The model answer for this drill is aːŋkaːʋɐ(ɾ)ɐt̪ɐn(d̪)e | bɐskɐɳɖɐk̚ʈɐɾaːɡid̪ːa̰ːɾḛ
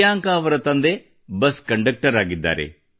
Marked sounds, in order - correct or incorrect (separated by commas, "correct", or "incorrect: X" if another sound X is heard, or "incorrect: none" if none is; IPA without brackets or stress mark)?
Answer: correct, correct